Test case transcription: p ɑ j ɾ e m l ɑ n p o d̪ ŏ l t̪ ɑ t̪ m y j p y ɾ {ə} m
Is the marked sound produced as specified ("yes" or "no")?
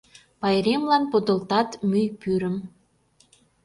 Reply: yes